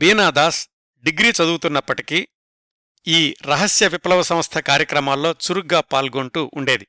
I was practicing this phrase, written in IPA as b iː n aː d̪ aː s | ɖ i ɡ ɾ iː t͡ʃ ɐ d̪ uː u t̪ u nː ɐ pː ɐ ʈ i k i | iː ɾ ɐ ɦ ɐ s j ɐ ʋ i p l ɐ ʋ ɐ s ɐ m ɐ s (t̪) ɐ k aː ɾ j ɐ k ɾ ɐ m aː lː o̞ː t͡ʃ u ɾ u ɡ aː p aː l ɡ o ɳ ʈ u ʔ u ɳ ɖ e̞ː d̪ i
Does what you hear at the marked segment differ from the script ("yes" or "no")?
yes